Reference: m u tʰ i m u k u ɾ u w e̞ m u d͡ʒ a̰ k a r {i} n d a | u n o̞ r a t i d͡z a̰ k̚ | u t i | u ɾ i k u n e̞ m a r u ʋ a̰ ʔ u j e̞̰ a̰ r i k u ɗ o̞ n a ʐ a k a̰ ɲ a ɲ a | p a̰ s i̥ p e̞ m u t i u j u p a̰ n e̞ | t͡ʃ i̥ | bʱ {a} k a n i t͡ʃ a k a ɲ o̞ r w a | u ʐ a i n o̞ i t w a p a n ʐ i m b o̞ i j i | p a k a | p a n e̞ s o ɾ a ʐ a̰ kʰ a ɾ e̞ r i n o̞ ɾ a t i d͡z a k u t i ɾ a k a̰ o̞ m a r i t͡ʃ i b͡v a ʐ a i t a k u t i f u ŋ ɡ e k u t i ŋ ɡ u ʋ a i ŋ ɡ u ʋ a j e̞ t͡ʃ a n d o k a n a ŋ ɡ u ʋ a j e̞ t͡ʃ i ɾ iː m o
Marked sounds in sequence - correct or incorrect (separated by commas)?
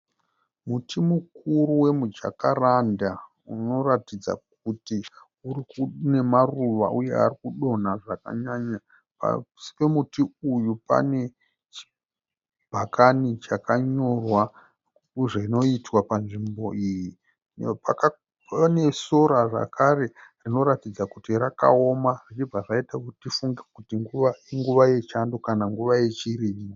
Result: incorrect, correct